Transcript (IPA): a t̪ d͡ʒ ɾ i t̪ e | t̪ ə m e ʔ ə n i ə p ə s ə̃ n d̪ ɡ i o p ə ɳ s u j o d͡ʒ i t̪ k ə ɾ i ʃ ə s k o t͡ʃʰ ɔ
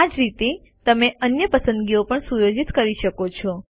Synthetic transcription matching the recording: a d͡ʒ ɾ i t̪ e | t̪ ə m e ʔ ə n j ə p ə s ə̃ n d̪ ɡ i o p ə ɳ s u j o d͡ʒ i t̪ k ə ɾ i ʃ ə k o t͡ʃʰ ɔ